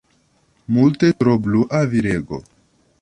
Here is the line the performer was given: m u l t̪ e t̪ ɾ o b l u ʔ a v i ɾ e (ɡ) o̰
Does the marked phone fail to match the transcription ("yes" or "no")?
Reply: no